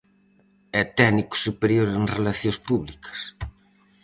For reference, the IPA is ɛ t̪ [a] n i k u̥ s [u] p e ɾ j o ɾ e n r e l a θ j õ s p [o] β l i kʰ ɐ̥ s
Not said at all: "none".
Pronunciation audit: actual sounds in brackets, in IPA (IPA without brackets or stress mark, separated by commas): ɛ, u, u